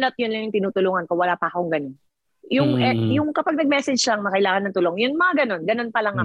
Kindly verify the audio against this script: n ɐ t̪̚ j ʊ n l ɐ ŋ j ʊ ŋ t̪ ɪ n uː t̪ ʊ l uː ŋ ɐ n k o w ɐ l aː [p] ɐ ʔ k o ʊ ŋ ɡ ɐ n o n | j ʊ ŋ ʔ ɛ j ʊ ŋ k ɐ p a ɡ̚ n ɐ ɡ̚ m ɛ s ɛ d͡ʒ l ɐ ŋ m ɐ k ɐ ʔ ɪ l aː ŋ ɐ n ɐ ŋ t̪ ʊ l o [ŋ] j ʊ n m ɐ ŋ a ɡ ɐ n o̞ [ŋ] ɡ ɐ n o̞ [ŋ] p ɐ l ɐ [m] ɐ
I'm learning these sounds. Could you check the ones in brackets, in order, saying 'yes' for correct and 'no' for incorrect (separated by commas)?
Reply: yes, yes, no, no, no